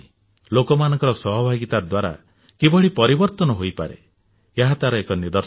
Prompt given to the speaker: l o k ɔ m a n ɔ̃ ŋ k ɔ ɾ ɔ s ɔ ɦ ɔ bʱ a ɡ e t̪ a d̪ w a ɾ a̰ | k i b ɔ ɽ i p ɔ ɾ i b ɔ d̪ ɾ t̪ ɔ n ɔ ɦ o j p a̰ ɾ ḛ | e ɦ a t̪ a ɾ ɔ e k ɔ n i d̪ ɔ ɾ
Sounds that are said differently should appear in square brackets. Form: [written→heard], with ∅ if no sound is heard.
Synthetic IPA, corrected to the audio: l o k ɔ m a n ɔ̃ ŋ k ɔ ɾ ɔ s ɔ ɦ ɔ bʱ a ɡ [e→i] t̪ a d̪ w a ɾ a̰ | k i b ɔ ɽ i p ɔ ɾ i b ɔ [d̪→∅] ɾ t̪ ɔ n ɔ ɦ o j p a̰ ɾ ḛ | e ɦ a t̪ a ɾ ɔ e k ɔ n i d̪ ɔ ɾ